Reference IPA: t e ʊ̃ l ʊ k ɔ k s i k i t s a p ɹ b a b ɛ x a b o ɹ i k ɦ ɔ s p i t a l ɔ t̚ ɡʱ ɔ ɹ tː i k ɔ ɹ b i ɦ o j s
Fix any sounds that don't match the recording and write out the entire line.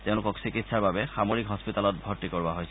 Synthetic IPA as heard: t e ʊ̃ l ʊ k ɔ k s i k i t s a ɹ b a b ɛ x a m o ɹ i k ɦ ɔ s p i t a l ɔ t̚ bʱ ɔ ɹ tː i k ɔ ɹ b a ɦ o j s